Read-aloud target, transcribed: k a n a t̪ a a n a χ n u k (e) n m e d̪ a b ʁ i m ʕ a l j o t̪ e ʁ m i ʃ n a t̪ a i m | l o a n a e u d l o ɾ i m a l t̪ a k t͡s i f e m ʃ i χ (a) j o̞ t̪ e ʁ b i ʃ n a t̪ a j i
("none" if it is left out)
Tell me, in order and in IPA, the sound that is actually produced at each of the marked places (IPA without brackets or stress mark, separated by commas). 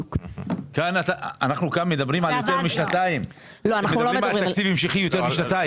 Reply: a, i